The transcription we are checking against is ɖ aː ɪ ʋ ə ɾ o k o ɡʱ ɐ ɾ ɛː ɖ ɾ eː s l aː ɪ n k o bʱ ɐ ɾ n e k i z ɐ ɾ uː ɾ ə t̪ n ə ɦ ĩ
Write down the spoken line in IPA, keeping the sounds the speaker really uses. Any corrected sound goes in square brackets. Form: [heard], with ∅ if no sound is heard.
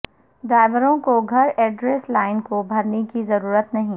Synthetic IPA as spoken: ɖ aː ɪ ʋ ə ɾ [õ] k o ɡʱ ɐ ɾ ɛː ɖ ɾ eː s l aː ɪ n k o bʱ ɐ ɾ n e k i z ɐ ɾ uː ɾ ə t̪ n [ɐ] ɦ ĩ